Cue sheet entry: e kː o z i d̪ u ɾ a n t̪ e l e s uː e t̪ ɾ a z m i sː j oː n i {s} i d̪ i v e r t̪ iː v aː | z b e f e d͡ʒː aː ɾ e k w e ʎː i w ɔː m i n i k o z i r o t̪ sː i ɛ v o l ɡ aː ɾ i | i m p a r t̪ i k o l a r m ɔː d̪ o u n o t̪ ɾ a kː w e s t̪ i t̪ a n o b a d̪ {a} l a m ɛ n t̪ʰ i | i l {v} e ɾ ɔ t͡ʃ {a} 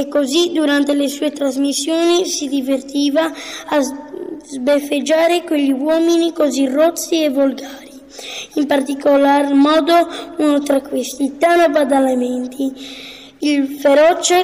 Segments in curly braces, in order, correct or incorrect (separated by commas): correct, correct, incorrect, incorrect